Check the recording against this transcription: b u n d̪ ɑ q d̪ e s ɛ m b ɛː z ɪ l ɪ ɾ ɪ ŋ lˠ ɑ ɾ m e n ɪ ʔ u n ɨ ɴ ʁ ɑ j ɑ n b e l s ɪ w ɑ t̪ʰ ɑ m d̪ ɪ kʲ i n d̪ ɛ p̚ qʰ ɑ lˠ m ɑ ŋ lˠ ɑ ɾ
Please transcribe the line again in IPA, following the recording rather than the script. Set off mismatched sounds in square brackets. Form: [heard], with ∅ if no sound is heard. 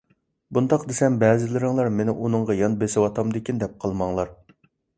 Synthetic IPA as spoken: b u n d̪ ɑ q d̪ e s ɛ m b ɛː z ɪ l ɪ ɾ ɪ ŋ lˠ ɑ ɾ m e n ɪ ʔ u n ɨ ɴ ʁ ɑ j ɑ n b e [∅] s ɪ w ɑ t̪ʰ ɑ m d̪ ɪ kʲ i n d̪ ɛ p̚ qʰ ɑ lˠ m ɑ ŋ lˠ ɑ ɾ